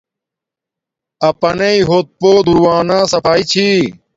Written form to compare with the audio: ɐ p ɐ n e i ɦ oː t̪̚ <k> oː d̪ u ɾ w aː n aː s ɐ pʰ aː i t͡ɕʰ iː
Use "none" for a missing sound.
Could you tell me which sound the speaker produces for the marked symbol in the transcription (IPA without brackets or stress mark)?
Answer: p